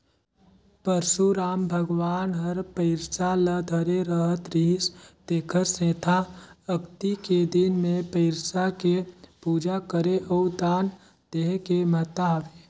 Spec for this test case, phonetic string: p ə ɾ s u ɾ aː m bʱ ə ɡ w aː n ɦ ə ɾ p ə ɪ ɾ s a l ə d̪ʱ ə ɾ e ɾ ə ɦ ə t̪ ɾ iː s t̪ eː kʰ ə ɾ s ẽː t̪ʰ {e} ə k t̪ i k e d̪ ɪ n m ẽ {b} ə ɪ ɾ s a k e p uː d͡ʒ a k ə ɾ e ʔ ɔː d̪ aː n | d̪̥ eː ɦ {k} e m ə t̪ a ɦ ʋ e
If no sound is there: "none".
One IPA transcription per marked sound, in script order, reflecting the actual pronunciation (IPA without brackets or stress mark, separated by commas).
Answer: a, p, k